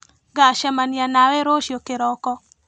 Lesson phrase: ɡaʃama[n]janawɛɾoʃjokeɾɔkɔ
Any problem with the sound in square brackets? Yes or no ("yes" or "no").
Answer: no